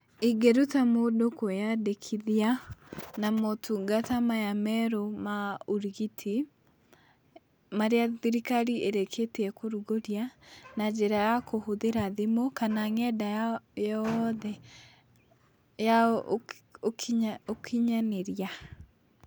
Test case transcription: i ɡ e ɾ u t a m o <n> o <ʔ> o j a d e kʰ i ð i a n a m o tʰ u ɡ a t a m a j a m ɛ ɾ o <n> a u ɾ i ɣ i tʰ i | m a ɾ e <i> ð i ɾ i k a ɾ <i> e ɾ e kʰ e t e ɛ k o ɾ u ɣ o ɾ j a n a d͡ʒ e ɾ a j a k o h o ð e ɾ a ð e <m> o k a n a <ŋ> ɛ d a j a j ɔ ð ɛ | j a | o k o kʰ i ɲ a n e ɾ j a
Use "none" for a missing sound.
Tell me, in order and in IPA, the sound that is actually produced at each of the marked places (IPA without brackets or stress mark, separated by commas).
d, k, m, a, i, m, ŋ